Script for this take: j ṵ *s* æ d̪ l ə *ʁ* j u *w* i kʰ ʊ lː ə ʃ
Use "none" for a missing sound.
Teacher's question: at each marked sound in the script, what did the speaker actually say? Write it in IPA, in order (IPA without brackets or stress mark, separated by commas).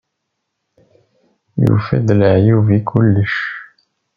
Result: f, ʕ, v